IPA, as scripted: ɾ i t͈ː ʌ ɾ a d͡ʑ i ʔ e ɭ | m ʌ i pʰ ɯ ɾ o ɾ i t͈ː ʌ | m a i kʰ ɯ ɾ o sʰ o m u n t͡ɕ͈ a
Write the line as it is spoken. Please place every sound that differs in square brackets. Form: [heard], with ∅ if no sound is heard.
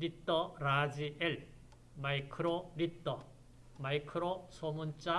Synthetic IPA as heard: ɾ i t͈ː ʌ ɾ a d͡ʑ i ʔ e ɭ | m [a] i [kʰ] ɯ ɾ o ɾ i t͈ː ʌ | m a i kʰ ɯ ɾ o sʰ o m u n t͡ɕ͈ a